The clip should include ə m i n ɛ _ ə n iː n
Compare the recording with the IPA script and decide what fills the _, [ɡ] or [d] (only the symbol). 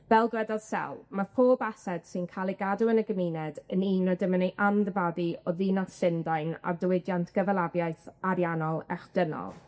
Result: d